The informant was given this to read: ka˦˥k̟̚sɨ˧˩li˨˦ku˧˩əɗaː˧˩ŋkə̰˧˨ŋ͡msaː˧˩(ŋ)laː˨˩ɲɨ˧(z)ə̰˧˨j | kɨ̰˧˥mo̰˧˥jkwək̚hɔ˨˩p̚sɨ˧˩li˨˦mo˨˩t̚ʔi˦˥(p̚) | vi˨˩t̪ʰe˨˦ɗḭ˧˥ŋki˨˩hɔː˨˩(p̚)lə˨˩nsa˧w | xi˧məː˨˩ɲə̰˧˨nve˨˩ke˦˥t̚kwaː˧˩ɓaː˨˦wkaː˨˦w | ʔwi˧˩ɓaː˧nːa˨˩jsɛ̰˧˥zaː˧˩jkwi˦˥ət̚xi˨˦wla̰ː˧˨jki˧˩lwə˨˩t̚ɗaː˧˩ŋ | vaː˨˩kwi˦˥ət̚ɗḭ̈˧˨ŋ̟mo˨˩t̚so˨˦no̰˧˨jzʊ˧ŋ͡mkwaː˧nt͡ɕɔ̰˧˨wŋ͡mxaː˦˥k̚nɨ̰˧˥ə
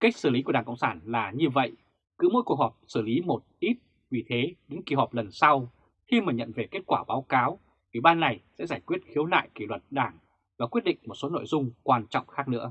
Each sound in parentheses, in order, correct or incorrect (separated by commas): incorrect, incorrect, incorrect, correct